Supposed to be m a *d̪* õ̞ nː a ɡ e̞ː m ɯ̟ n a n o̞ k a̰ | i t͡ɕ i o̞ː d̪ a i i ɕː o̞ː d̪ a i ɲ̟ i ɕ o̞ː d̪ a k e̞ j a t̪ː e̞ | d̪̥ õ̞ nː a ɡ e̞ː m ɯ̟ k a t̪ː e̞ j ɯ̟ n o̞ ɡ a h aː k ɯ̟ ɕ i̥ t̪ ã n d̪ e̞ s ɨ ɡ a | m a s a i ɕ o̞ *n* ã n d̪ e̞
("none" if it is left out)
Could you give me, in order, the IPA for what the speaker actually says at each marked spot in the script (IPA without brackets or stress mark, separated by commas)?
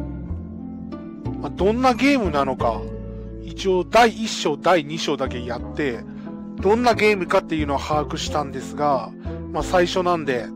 d̪, n